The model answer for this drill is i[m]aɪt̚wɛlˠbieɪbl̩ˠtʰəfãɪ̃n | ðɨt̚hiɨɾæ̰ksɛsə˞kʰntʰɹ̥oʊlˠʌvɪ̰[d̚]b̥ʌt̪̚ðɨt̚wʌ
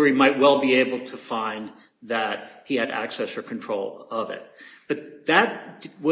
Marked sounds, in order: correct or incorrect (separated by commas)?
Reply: correct, incorrect